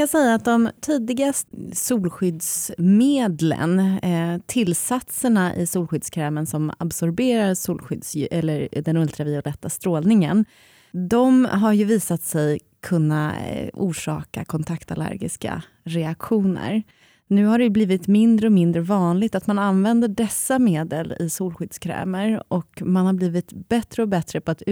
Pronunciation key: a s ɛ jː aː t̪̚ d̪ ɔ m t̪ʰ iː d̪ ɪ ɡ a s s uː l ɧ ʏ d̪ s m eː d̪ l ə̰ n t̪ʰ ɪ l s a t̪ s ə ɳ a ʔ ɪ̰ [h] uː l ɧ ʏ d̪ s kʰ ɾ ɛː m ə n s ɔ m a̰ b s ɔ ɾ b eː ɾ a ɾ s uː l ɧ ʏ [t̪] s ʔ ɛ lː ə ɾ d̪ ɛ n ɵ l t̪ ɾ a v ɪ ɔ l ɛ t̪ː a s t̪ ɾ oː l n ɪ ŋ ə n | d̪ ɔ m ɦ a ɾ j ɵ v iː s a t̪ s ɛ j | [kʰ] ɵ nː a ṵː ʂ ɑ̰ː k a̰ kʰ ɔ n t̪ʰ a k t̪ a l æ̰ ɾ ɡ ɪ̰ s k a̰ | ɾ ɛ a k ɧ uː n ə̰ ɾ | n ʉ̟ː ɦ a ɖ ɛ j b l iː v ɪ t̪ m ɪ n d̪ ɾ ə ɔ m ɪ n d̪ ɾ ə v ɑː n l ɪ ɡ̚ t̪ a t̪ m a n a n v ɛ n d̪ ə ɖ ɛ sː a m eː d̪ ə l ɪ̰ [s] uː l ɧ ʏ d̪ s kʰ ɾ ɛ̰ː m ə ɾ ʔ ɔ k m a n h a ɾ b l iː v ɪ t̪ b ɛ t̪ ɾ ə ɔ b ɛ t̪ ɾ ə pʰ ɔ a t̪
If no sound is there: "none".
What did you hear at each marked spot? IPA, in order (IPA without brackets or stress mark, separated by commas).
s, d̪, kʰ, s